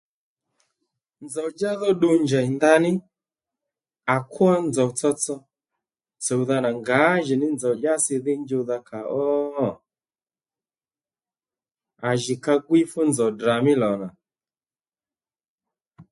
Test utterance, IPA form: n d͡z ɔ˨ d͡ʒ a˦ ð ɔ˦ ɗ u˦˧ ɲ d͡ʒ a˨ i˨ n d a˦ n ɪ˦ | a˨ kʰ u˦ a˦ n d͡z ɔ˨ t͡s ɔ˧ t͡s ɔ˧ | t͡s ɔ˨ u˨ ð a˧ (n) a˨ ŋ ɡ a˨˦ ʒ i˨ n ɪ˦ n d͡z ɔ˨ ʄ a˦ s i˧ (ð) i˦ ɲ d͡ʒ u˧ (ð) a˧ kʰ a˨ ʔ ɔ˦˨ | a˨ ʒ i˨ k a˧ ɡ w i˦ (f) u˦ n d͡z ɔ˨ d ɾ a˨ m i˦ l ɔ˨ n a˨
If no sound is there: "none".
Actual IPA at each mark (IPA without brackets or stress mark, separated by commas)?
n, ð, ð, f